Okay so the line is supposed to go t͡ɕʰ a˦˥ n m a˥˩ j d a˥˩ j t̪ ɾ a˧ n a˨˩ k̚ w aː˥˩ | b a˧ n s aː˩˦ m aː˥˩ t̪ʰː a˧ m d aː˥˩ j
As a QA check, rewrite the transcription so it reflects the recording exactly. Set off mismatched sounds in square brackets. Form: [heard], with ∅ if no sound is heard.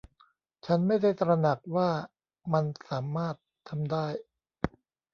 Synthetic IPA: t͡ɕʰ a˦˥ n m a˥˩ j d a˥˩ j t̪ ɾ a˧ n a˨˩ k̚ w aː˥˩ | [m] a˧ n s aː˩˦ m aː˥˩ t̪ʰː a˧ m d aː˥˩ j